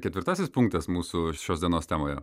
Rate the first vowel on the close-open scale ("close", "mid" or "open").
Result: mid